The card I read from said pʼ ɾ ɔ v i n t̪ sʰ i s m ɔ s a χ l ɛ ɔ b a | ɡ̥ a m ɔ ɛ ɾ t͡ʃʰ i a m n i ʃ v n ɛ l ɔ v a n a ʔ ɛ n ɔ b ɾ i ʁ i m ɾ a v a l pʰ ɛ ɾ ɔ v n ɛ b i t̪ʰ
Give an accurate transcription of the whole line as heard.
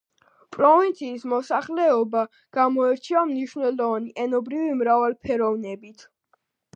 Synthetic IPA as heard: pʼ ɾ ɔ v i n t̪ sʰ iː s m ɔ s a χ l ɛ ɔ b a | ɡ̥ a m ɔ ɛ ɾ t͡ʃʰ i a m n i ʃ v n ɛ l ɔ v a n i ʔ ɛ n ɔ b ɾ i v i m ɾ a v a l pʰ ɛ ɾ ɔ v n ɛ b i t̪ʰ